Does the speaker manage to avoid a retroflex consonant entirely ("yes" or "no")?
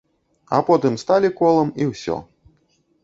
yes